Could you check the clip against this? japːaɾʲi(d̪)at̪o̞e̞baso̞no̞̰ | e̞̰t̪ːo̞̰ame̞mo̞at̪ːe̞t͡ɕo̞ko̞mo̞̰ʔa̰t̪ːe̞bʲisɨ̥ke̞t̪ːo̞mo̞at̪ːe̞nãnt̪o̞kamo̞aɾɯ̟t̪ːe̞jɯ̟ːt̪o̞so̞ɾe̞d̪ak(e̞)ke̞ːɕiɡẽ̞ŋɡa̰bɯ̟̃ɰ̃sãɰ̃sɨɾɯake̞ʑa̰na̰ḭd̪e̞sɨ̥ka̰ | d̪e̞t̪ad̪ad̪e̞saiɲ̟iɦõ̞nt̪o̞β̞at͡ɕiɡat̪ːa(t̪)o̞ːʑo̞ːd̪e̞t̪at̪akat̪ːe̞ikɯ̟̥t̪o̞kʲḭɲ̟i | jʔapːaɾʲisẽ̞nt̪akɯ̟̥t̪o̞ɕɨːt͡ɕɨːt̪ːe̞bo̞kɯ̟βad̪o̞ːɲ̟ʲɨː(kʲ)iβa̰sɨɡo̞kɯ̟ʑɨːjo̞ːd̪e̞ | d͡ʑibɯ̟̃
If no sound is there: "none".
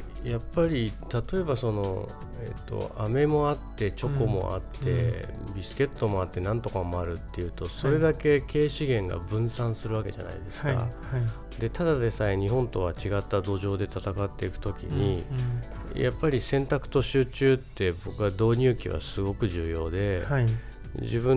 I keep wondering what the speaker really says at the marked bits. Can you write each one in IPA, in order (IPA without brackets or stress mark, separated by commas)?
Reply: t̪, e̞, d̪, kʲ